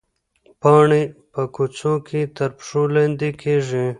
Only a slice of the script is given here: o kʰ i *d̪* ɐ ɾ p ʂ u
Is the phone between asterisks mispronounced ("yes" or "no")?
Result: yes